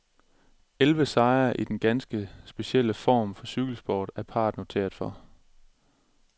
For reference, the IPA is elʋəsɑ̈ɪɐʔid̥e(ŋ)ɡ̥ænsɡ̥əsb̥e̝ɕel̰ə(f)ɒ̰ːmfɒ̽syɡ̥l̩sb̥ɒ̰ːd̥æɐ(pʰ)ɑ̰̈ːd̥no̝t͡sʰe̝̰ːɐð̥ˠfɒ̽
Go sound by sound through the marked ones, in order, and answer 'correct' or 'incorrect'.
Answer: incorrect, correct, correct

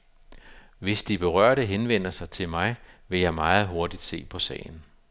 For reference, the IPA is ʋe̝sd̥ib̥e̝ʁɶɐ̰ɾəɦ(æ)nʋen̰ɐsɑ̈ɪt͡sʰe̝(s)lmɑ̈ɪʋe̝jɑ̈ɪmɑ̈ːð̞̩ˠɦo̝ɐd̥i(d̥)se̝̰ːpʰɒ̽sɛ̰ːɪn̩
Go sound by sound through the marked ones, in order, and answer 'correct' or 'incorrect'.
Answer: incorrect, incorrect, correct

